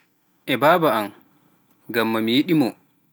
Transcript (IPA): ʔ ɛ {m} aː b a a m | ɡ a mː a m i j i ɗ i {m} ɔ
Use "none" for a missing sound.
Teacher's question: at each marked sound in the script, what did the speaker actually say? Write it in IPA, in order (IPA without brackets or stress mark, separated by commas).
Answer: b, m